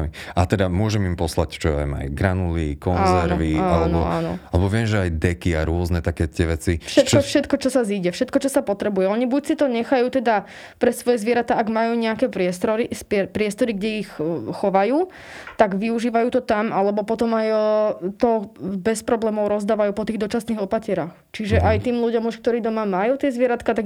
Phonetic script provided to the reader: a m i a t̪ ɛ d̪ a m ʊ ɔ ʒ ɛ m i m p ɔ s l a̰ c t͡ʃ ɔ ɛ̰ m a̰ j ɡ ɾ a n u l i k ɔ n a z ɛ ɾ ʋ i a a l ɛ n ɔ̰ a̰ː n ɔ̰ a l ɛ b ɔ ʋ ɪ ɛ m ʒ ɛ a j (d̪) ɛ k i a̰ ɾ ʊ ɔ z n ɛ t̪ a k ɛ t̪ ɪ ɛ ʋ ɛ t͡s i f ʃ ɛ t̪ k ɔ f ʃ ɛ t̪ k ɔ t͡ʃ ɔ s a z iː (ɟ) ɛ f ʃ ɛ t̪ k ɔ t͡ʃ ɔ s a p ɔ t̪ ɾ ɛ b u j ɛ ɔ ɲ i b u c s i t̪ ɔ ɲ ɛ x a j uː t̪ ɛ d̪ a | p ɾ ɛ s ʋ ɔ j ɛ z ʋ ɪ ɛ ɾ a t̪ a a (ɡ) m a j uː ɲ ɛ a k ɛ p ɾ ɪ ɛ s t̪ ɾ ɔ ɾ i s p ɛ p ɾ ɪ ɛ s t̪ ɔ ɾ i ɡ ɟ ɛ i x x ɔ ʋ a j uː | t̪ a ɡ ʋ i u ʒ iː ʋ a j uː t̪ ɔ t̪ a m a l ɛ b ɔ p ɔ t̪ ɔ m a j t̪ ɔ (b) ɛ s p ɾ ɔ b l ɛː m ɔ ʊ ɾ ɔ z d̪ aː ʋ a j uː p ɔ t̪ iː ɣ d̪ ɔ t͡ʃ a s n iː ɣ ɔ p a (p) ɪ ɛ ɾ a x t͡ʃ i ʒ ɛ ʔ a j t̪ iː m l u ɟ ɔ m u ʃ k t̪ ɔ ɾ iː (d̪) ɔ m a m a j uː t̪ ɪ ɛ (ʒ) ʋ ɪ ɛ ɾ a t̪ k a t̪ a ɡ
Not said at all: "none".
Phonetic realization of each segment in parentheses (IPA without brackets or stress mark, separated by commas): d̪, ɟ, ɡ, b, c, d̪, z